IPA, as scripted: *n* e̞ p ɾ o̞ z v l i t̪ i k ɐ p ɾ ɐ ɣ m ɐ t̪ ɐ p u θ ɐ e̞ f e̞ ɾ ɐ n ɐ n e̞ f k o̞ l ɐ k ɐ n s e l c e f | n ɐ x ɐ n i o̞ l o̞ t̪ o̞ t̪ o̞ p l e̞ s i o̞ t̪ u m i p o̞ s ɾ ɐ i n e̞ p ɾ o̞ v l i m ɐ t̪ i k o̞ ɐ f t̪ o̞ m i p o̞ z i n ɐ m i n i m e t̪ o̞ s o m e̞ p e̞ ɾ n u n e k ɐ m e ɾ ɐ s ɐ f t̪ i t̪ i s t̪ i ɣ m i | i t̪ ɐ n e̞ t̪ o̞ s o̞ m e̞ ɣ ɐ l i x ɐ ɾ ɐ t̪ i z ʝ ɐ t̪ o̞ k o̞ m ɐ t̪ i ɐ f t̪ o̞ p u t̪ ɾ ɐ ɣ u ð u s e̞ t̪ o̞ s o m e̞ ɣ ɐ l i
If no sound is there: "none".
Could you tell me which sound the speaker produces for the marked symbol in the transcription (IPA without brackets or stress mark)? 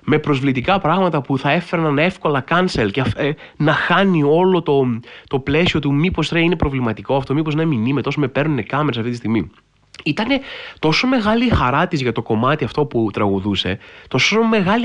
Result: m